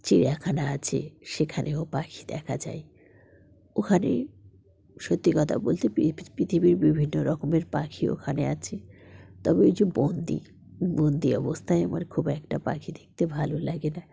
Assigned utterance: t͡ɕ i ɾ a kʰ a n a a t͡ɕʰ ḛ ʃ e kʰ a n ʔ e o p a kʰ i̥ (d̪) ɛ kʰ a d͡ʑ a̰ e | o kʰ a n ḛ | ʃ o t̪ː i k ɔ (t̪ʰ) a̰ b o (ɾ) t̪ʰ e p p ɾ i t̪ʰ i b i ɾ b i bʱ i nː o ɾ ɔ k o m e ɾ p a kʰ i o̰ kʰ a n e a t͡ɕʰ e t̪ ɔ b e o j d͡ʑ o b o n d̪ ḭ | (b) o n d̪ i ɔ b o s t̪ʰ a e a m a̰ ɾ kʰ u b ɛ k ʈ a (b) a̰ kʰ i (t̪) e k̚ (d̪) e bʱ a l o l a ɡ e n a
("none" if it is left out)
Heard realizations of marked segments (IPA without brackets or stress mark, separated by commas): d̪, t̪ʰ, l, b, p, d̪, t̪